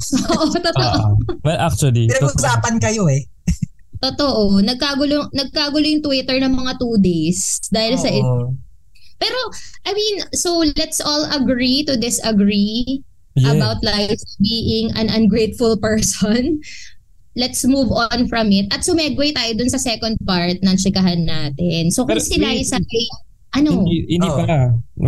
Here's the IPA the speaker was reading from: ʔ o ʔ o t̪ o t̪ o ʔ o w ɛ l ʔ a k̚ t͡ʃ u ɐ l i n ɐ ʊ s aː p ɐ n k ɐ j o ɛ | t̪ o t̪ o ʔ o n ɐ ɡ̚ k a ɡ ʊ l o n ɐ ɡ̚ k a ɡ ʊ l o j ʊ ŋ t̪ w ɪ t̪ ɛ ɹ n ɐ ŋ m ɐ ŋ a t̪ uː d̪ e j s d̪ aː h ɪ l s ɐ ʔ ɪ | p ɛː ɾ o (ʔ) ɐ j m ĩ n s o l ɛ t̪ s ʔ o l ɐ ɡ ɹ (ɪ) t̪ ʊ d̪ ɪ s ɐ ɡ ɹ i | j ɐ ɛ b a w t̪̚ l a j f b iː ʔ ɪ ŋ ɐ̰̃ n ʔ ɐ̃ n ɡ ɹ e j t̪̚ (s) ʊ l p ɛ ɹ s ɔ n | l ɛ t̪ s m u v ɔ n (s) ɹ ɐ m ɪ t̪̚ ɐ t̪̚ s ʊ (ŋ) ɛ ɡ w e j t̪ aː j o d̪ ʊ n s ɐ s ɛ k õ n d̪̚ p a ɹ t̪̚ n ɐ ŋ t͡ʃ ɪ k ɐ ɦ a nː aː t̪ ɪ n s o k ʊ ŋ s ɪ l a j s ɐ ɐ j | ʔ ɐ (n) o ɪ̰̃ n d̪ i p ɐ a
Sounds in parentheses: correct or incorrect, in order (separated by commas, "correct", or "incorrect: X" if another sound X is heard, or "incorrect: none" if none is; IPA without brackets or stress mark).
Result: correct, incorrect: i, incorrect: f, incorrect: f, incorrect: m, correct